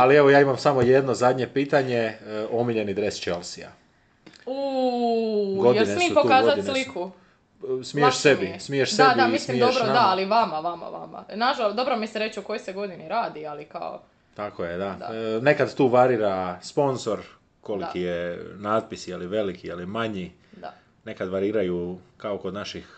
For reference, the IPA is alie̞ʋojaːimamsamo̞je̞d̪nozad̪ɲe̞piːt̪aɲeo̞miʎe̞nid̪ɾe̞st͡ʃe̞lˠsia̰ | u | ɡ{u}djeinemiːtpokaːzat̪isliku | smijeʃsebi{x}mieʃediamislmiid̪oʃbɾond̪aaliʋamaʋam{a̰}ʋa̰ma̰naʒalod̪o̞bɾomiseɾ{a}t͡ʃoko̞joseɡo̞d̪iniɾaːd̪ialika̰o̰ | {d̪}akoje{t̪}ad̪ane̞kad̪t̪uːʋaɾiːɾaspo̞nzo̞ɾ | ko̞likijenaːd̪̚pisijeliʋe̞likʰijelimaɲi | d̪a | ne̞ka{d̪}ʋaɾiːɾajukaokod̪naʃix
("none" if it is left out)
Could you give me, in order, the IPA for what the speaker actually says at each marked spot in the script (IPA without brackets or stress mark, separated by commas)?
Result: o, s, a̰, e, t̪, d̪, d̪